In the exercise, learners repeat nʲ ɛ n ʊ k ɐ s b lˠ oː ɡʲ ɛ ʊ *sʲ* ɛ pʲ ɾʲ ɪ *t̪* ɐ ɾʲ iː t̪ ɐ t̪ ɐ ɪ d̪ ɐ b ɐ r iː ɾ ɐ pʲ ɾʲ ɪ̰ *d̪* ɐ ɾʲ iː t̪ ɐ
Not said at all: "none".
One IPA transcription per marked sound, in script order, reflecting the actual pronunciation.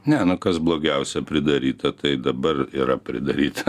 sʲ, d̪, d̪

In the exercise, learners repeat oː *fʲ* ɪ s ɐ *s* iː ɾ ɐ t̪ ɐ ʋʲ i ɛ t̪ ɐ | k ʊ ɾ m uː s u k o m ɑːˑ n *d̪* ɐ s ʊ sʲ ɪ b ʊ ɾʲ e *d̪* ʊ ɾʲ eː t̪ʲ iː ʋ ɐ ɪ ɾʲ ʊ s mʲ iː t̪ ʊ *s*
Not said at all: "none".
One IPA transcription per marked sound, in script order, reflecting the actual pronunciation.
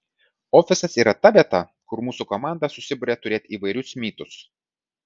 fʲ, s, d̪, t̪, s

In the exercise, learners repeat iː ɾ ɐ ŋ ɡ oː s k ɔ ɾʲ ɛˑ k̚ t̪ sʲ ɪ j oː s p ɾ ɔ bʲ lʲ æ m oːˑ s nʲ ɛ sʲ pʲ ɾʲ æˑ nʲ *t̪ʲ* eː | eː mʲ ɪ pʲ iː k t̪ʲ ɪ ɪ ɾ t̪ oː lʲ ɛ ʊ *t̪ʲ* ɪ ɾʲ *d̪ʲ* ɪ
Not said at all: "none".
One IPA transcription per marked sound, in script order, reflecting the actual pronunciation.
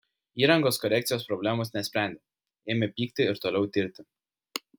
d̪ʲ, t̪ʲ, t̪ʲ

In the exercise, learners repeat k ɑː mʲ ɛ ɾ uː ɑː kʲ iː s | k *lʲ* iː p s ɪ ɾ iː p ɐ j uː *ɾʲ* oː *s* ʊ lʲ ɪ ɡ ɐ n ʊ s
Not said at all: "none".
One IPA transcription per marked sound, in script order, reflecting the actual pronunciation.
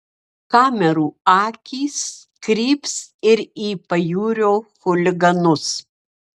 ɾʲ, ɾʲ, x

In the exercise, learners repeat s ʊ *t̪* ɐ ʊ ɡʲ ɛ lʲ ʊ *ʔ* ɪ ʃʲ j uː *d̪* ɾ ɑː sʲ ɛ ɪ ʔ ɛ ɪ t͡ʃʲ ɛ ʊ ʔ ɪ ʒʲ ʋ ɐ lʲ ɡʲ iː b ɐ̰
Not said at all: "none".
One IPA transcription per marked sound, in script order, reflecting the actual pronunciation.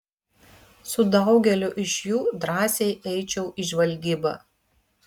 d̪, ʔ, d̪

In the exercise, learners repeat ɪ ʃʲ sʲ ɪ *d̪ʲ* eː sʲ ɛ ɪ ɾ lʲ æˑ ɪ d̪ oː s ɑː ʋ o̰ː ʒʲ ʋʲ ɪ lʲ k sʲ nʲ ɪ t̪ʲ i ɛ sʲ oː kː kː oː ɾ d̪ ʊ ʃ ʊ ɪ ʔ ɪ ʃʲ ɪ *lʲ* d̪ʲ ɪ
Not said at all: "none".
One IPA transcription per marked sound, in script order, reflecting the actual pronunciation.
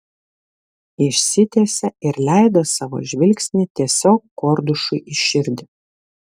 t̪ʲ, ɾʲ

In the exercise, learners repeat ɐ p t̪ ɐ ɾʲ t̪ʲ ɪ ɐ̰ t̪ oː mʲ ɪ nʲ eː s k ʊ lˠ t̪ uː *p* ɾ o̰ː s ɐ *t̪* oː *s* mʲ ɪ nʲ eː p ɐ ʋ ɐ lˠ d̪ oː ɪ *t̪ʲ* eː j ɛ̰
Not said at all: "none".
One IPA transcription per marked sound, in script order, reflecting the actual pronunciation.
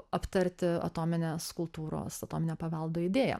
none, t̪, none, d̪ʲ

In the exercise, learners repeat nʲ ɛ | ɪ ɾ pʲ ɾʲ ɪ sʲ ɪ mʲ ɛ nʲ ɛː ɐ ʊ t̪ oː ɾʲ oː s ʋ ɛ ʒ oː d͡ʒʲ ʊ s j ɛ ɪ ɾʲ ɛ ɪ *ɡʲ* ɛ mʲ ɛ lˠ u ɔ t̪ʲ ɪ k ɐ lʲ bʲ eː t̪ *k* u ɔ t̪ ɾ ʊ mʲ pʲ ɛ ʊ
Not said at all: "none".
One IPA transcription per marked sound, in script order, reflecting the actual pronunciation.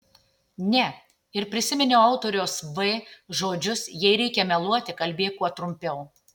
kʲ, k

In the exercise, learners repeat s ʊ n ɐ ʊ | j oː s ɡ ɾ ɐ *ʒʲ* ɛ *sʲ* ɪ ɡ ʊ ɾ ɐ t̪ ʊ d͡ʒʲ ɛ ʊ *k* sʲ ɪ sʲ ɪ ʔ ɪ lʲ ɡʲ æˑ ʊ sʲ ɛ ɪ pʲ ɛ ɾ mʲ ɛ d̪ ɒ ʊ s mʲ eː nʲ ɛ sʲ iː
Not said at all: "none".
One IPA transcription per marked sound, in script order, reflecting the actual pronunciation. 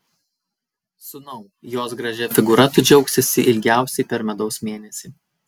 ʒʲ, fʲ, k

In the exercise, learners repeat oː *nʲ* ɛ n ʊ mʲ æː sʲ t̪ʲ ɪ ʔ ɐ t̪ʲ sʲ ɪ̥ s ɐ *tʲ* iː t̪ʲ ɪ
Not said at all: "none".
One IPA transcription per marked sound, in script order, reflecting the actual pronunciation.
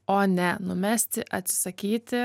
nʲ, kʲ

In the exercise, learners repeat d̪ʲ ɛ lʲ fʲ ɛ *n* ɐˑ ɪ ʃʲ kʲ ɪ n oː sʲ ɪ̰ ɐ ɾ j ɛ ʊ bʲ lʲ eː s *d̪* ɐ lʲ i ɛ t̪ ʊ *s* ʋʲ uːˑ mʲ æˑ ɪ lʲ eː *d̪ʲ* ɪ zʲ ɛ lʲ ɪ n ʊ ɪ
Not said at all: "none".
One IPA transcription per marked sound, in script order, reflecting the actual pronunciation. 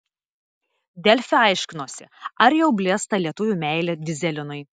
none, t̪, none, d̪ʲ

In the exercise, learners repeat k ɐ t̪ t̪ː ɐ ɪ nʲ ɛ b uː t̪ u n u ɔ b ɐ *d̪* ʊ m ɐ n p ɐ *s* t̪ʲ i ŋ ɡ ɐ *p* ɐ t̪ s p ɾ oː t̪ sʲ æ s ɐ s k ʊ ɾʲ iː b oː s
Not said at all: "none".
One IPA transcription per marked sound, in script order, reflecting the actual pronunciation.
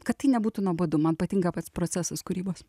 d̪, none, p

